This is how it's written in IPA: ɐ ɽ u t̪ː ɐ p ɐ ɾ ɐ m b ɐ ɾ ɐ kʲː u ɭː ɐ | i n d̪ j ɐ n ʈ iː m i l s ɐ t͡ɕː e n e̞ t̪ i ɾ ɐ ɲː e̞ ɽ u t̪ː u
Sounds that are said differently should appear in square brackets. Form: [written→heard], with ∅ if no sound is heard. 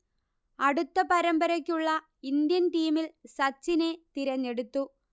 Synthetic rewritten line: ɐ ɽ u t̪ː ɐ p ɐ ɾ ɐ m b ɐ ɾ ɐ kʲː u ɭː ɐ | i n d̪ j ɐ n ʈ iː m i l s ɐ t͡ɕː [e→i] n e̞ t̪ i ɾ ɐ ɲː e̞ ɽ u t̪ː u